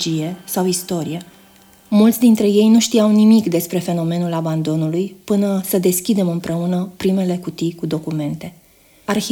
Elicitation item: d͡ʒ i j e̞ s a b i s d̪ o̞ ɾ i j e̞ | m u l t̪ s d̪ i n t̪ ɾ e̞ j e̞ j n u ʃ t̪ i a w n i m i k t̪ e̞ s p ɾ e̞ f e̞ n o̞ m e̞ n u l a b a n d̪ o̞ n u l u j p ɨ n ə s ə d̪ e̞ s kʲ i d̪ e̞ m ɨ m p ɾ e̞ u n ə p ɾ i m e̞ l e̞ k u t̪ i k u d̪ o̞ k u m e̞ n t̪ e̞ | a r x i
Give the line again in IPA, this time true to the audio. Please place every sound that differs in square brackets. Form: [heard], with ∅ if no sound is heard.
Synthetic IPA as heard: d͡ʒ i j e̞ s a [w] i s [t̪] o̞ ɾ i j e̞ | m u l t̪ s d̪ i n t̪ ɾ e̞ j e̞ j n u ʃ t̪ i a w n i m i k [d̪] e̞ s p ɾ e̞ f e̞ n o̞ m e̞ n u l a b a n d̪ o̞ n u l u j p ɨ n ə s ə d̪ e̞ s kʲ i d̪ e̞ m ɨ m p ɾ e̞ u n ə p ɾ i m e̞ l e̞ k u t̪ i k u d̪ o̞ k u m e̞ n t̪ e̞ | a r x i